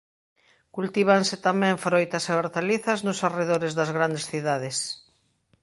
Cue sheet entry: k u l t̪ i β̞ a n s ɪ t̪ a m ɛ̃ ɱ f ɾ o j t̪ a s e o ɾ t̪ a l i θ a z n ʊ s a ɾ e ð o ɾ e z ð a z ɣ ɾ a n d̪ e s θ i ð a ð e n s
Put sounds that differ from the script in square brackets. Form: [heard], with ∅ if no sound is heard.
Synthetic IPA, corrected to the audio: k u l t̪ i β̞ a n s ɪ t̪ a m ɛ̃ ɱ f ɾ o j t̪ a s e o ɾ t̪ a l i θ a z n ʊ s a [r] e ð o ɾ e z ð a z ɣ ɾ a n d̪ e s θ i ð a ð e [∅] s